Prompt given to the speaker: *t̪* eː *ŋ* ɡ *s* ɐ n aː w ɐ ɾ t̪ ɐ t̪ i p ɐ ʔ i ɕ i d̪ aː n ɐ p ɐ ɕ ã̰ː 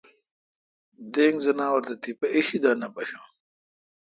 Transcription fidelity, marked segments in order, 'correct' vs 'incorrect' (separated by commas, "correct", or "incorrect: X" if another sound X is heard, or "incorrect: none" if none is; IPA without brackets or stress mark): incorrect: d̪, correct, incorrect: z